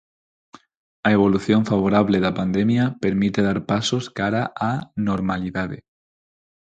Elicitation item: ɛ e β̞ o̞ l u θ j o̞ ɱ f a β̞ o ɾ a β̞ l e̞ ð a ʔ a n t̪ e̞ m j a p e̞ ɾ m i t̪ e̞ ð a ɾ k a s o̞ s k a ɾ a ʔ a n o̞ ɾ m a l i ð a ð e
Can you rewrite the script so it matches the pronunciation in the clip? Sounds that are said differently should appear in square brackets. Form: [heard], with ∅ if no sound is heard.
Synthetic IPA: [a] e β̞ o̞ l u θ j o̞ ɱ f a β̞ o ɾ a β̞ l e̞ ð a [p] a n [d̪] e̞ m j a p e̞ ɾ m i t̪ e̞ ð a ɾ [p] a s o̞ s k a ɾ a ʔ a n o̞ ɾ m a l i ð a ð e